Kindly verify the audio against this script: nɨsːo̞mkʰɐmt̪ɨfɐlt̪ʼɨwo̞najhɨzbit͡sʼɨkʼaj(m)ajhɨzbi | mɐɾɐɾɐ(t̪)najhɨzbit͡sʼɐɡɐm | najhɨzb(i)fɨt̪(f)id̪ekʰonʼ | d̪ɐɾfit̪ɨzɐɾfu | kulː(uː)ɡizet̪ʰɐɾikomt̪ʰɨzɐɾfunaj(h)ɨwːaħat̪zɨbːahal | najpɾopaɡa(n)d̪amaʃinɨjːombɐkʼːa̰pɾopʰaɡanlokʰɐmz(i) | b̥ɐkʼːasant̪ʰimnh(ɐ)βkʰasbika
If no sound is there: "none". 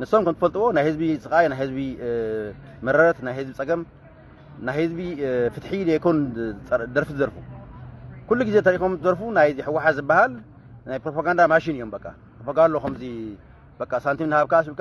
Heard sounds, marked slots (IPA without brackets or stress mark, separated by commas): n, t̪, i, ħ, u, ħ, n, i, a